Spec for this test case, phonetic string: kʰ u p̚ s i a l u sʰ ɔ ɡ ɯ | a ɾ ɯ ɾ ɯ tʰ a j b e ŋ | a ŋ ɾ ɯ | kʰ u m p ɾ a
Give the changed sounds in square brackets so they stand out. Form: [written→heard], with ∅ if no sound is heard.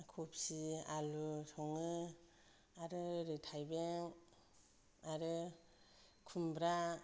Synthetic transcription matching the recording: kʰ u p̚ s i a l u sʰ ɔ [ɡ→ŋ] ɯ | a ɾ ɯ ɾ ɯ tʰ a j b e ŋ | a [ŋ→∅] ɾ ɯ | kʰ u m [p→b] ɾ a